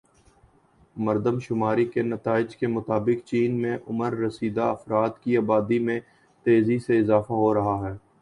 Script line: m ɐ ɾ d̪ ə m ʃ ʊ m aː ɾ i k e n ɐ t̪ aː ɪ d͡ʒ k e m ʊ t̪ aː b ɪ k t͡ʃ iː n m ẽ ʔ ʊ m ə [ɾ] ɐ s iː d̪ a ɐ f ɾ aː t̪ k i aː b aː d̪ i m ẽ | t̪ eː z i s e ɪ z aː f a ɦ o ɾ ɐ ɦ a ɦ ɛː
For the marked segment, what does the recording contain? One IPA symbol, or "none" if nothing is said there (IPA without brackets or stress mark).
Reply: ɾː